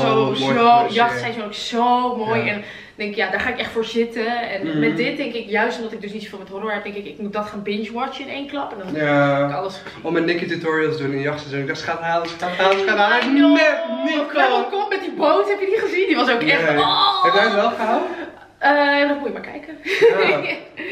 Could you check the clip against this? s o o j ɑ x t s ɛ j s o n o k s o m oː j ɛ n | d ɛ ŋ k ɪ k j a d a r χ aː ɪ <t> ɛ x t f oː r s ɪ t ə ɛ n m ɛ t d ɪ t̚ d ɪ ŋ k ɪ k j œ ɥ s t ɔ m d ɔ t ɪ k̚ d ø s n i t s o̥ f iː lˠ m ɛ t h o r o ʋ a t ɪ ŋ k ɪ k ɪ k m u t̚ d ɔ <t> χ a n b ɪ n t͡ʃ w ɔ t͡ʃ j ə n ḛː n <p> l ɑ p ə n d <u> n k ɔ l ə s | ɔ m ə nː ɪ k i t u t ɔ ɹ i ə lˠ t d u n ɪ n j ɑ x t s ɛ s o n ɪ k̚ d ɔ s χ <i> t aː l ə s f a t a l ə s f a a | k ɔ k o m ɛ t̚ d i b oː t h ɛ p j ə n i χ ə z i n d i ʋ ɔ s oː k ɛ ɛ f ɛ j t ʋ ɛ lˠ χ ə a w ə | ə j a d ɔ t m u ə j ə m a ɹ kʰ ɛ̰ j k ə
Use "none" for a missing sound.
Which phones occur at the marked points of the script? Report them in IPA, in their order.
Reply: k, t, k, ɔ, a

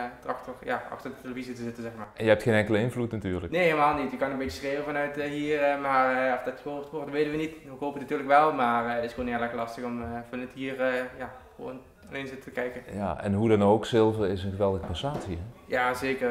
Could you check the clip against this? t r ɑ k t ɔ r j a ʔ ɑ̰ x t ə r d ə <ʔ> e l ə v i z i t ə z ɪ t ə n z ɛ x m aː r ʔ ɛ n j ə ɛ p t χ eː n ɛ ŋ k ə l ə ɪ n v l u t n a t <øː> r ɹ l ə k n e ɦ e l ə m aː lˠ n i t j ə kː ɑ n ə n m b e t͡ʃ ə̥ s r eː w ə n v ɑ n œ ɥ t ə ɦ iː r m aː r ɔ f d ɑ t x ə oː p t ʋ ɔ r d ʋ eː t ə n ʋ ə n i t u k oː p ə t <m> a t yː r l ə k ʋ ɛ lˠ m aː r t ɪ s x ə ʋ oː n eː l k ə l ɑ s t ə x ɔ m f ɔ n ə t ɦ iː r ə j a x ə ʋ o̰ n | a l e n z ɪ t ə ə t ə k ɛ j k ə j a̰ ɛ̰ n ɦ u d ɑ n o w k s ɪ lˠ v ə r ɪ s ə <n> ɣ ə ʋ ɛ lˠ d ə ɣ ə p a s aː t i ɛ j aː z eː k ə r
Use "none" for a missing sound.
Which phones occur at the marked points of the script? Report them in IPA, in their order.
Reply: t, yː, n, n

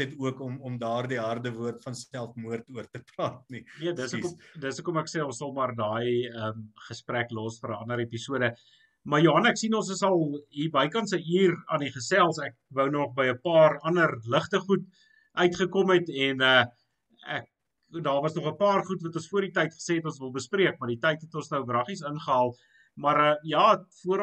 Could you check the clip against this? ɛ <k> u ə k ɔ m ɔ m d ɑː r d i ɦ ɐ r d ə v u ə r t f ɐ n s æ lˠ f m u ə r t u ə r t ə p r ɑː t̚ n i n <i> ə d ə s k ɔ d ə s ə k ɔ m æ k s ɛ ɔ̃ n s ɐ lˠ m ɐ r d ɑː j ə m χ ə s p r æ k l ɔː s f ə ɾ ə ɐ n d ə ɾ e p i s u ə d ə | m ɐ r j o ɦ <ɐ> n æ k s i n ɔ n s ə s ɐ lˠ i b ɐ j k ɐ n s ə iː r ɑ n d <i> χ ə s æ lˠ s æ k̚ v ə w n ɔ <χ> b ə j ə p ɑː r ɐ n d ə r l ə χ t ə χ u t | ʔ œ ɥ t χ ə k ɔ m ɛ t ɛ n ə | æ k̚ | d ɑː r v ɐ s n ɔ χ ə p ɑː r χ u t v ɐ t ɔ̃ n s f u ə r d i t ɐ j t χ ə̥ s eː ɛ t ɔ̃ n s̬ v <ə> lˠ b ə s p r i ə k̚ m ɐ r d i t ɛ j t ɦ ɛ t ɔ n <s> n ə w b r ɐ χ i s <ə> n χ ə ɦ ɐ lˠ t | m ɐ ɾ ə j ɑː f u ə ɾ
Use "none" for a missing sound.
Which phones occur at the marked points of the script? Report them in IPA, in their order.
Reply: t, i, ɐ, i, χ, ə, s, ə

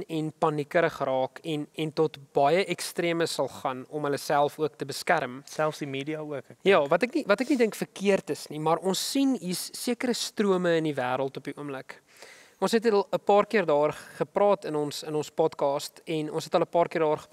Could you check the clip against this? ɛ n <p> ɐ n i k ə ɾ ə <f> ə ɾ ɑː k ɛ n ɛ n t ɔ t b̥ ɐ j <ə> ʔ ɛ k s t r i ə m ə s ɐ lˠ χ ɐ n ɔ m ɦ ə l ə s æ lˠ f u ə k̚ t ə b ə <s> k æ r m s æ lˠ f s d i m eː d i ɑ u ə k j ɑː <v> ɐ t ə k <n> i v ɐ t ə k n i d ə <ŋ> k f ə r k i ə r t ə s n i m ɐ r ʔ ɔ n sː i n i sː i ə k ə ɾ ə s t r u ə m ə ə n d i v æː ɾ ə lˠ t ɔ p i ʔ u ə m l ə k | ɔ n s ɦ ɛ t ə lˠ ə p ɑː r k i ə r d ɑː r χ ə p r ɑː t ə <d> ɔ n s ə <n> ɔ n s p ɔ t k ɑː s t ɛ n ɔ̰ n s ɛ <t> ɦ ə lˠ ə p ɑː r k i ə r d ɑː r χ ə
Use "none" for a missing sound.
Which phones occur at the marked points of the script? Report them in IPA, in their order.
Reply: p, χ, ə, s, v, n, ŋ, n, n, t

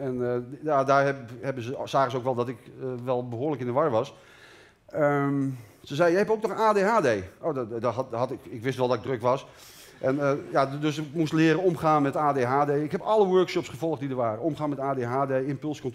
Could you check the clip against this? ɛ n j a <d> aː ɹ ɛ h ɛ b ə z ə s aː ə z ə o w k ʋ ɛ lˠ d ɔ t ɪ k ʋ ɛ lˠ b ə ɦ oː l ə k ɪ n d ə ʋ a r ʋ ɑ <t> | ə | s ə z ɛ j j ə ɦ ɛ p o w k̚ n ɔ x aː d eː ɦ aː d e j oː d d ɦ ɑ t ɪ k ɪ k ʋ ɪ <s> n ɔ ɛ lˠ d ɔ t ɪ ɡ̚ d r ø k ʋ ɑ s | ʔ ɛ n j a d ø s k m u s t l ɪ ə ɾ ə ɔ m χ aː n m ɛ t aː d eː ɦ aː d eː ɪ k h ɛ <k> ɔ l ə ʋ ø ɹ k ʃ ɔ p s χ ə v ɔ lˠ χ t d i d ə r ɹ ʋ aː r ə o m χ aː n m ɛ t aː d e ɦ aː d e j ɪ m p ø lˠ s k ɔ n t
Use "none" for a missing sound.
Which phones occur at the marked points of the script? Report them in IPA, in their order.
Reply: d, s, s, p

